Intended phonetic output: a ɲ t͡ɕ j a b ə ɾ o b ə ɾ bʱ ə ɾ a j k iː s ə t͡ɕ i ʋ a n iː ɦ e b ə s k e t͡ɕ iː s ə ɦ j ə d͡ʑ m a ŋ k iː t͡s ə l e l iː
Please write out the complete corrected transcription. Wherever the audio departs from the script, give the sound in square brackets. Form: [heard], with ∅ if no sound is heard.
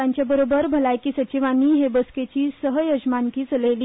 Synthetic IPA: a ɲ t͡ɕ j a b ə ɾ o b ə ɾ bʱ ə [l] a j k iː s ə t͡ɕ i ʋ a n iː ɦ e b ə s k e t͡ɕ iː s ə ɦ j ə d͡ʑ m a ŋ k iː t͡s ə l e l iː